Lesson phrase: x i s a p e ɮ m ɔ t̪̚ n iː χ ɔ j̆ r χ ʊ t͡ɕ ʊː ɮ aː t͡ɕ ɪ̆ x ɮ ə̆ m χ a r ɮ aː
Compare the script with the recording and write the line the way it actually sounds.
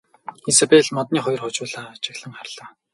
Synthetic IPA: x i s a p e ɮ m ɔ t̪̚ n iː χ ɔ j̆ r χ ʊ t͡ɕ ʊː ɮ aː t͡ɕ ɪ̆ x ɮ ə̆ ŋ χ a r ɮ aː

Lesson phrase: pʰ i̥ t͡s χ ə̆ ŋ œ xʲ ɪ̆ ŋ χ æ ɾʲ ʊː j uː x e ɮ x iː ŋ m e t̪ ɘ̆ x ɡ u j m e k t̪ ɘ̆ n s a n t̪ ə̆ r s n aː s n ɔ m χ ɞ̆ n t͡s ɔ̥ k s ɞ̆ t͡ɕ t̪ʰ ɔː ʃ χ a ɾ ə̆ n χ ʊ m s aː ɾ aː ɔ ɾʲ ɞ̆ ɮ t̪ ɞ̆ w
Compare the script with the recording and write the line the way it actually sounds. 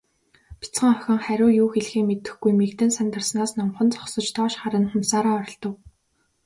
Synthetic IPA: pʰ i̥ t͡s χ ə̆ ŋ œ xʲ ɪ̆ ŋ χ æ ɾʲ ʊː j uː x e ɮ x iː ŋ m e t̪ ɘ̆ x ɡ u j m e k t̪ ɘ̆ n s a n t̪ ə̆ r s n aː s n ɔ m χ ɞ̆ n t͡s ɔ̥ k s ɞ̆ t͡ɕ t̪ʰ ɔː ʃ χ a ɾ ə̆ n χ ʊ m s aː ɾ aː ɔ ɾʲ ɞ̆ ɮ t̪ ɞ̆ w

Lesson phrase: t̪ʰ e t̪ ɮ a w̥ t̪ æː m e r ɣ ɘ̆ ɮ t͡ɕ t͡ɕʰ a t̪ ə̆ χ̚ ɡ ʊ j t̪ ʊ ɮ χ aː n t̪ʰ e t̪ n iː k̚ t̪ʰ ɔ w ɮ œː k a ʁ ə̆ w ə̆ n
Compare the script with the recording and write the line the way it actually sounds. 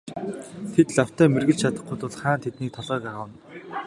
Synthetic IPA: t̪ʰ e t̪ ɮ a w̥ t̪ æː m e r ɣ ɘ̆ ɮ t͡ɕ t͡ɕʰ a t̪ ə̆ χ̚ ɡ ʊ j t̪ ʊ ɮ χ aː n t̪ʰ e t̪ n iː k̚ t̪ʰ ɔ ɮ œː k a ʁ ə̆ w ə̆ n

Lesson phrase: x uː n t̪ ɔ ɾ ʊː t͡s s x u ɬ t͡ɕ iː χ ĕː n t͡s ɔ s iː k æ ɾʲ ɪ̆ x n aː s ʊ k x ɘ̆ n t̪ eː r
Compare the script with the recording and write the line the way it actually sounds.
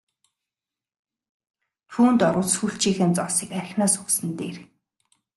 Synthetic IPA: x uː n t̪ ɔ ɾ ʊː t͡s s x u ɬ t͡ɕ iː x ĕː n t͡s ɔ s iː k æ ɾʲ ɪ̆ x n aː s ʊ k s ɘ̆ n t̪ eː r

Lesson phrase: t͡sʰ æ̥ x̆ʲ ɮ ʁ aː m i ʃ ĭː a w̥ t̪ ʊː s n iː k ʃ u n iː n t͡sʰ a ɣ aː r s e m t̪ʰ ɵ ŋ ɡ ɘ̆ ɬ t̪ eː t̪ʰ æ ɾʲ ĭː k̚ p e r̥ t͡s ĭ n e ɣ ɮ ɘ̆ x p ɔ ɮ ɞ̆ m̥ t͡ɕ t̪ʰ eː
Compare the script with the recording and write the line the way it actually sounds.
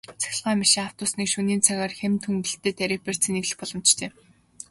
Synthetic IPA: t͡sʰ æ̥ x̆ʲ ɮ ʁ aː m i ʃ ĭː a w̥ t̪ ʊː s n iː k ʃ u n iː n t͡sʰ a ɣ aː r x e m t̪ʰ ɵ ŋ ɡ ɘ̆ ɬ t̪ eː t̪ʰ æ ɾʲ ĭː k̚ p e r̥ t͡s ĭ n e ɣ ɮ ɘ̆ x p ɔ ɮ ɞ̆ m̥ t͡ɕ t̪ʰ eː

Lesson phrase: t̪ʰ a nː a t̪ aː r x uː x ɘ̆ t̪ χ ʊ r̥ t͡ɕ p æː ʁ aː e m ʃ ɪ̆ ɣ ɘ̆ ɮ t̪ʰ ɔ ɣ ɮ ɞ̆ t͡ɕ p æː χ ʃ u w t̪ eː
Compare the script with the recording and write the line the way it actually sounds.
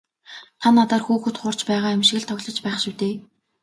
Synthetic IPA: t̪ʰ a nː a t̪ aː r x uː x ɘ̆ t̪ χ ʊ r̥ t͡ɕ p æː ʁ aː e m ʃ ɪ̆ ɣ ɘ̆ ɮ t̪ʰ ɔ ɣ ɮ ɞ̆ t͡ɕ p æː χ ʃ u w t̪ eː

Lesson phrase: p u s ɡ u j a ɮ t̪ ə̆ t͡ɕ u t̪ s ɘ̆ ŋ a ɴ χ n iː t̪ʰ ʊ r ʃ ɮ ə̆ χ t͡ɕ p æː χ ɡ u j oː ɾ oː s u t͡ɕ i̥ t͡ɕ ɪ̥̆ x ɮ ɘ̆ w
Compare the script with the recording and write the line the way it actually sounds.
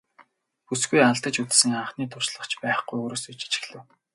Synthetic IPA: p u s ɡ u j a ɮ t̪ ə̆ t͡ɕ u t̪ s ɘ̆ ŋ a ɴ χ n iː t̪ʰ ʊ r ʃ ɮ ə̆ χ t͡ɕ p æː χ ɡ u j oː ɾ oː s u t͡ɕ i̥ t͡ɕ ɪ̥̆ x ɮ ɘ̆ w

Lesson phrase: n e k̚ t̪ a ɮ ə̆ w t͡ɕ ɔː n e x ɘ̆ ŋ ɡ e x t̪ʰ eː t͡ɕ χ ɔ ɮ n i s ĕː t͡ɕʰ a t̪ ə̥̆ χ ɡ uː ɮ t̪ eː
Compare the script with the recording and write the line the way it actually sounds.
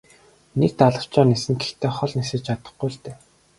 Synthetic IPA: n e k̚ t̪ a ɮ ə̆ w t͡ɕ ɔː n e s ɘ̆ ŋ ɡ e x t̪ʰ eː χ ɔ ɮ n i s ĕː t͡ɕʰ a t̪ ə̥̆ χ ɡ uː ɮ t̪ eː

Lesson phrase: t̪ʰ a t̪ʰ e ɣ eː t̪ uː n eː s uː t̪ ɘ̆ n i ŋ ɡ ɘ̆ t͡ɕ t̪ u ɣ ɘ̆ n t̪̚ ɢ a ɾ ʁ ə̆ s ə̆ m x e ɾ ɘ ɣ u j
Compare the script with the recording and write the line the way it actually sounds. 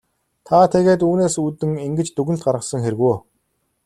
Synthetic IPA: t̪ʰ a t̪ʰ e ɣ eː t̪ uː n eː s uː t̪ ɘ̆ ŋ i ŋ ɡ ɘ̆ t͡ɕ t̪ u ɣ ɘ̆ n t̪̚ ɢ a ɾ ʁ ə̆ s ə̆ ŋ x e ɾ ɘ ɣ u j

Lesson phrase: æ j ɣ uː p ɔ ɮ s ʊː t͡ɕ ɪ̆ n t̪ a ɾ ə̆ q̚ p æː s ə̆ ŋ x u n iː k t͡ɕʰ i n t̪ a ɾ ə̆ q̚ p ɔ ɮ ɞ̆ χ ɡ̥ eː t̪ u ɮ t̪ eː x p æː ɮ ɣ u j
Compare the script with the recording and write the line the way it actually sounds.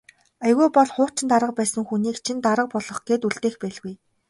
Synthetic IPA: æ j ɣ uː p ɔ ɮ χ ʊː t͡ɕ ɪ̆ n t̪ a ɾ ə̆ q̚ p æː s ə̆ ŋ x u n iː k t͡ɕʰ i n t̪ a ɾ ə̆ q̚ p ɔ ɮ ɞ̆ χ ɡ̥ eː t̪ u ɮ t̪ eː x p æː ɮ ɣ u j

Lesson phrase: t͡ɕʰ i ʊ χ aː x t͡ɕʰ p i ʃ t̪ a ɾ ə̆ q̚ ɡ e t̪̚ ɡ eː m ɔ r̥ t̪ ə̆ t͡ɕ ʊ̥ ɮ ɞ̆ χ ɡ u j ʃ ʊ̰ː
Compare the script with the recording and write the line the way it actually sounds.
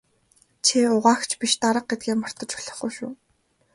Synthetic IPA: t͡ɕʰ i ʊ ʁ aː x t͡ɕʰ p i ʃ t̪ a ɾ ə̆ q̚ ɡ e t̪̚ ɡ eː m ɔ r̥ t̪ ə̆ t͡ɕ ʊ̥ ɮ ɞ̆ χ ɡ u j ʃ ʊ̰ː

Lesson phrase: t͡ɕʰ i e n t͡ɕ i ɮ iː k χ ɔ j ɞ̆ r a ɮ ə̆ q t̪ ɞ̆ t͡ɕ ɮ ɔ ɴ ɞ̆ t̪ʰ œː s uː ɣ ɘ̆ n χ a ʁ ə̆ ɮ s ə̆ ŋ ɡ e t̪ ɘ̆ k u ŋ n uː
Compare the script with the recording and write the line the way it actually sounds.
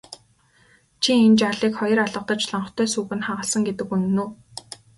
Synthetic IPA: t͡ɕʰ i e n t͡ɕ a ɮ iː k χ ɔ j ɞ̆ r a ɮ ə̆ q t̪ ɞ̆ t͡ɕ ɮ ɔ ɴ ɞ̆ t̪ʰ œː s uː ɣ ɘ̆ n χ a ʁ ə̆ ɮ s ə̆ ŋ ɡ e t̪ ɘ̆ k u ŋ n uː

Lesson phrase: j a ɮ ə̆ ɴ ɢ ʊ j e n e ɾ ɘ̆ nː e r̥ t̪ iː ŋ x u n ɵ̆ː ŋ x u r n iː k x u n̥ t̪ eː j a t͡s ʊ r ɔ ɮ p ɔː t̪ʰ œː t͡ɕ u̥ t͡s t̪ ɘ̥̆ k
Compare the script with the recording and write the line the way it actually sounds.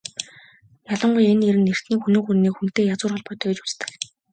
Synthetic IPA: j a ɮ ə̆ ɴ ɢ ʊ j e n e ɾ ɘ̆ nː e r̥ t̪ iː ŋ x u n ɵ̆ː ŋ x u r n iː k x u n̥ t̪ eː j a t͡s ʊː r ɔ ɮ p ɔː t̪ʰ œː t͡ɕ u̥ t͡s t̪ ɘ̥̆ k

